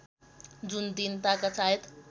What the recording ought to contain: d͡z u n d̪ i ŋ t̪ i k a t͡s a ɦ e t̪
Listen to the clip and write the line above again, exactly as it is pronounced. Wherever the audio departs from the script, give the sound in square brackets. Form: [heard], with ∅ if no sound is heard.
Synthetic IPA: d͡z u n d̪ i [n] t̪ [a] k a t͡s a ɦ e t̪